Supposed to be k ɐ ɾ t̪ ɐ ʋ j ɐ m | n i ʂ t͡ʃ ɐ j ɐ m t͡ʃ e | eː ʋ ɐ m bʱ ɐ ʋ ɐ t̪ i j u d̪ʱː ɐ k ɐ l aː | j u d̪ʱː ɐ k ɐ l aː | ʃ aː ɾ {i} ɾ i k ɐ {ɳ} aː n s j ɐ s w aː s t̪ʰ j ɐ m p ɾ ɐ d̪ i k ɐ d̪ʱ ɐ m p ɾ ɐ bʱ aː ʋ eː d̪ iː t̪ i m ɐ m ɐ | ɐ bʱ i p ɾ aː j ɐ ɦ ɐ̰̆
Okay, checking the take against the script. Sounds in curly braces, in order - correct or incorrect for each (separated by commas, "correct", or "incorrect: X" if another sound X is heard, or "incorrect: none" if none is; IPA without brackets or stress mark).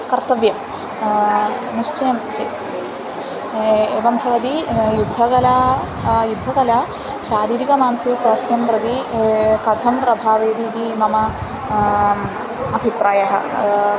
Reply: incorrect: iː, incorrect: m